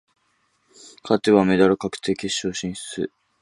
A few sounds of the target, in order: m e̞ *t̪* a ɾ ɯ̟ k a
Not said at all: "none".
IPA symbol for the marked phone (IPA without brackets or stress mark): d̪